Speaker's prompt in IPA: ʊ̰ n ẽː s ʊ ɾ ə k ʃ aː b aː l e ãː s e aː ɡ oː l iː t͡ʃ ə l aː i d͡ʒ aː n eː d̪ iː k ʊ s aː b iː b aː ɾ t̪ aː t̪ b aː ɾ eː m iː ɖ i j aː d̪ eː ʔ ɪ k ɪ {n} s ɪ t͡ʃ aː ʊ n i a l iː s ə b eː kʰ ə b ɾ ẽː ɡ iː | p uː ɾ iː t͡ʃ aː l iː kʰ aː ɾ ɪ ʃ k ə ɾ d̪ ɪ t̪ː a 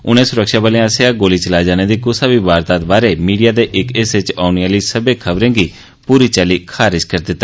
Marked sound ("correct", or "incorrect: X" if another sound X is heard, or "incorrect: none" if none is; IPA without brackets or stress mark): incorrect: none